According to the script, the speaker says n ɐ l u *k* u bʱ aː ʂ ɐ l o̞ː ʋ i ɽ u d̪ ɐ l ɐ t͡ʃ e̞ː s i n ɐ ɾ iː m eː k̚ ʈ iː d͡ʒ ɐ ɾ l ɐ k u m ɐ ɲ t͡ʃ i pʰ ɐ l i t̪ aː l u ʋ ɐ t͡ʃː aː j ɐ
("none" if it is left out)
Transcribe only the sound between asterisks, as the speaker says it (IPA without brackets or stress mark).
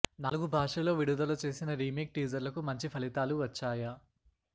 ɡ